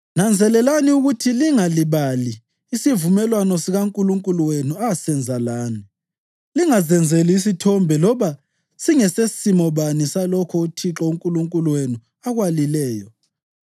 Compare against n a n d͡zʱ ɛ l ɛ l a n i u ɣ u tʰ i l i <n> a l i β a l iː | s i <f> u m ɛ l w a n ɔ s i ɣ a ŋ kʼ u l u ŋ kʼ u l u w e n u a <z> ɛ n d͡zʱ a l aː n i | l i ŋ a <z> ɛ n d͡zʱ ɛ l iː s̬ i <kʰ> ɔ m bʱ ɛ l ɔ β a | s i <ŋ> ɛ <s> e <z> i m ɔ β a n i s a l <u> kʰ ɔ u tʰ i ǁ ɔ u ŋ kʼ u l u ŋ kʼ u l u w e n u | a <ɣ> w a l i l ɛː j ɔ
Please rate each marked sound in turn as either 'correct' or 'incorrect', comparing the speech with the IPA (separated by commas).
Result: incorrect, incorrect, incorrect, correct, incorrect, correct, correct, incorrect, incorrect, correct